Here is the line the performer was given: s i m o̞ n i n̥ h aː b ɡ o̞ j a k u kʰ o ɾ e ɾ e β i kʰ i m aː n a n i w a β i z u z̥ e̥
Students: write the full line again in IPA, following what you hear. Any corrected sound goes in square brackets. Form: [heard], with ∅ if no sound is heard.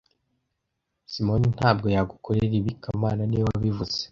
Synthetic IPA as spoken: s i m o̞ n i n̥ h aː b ɡ o̞ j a [ɡ] u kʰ o ɾ e ɾ [i] β i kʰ [a] m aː n a n i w a β i [v] u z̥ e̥